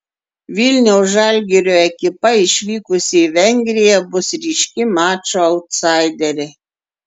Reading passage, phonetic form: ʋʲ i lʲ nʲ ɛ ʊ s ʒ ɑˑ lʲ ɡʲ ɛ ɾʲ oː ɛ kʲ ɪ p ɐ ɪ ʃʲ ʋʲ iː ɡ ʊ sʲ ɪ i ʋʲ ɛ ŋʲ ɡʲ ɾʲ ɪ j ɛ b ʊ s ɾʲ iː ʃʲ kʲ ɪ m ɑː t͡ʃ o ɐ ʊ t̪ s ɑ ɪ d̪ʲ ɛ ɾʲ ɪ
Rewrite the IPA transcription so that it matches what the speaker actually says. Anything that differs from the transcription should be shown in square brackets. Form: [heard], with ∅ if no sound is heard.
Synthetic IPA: ʋʲ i lʲ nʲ ɛ ʊ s ʒ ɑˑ lʲ ɡʲ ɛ ɾʲ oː ɛ kʲ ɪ p ɐ ɪ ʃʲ ʋʲ iː [k] ʊ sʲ ɪ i ʋʲ ɛ ŋʲ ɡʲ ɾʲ ɪ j ɛ b ʊ s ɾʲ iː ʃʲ kʲ ɪ m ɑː t͡ʃ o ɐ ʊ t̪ s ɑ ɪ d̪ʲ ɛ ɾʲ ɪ